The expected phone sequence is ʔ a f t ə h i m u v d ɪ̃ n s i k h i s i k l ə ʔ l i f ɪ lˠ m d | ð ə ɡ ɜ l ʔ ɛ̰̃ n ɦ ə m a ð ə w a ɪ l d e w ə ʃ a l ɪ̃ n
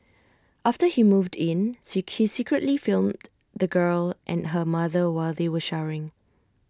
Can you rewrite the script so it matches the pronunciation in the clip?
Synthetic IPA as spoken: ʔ a f t ə h i m u v d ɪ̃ n s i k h i s i k ɹ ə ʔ l i f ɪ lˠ m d | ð ə ɡ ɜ l ʔ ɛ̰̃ n ɦ ə m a ð ə w a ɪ l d e w ə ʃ a ɹ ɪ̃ ŋ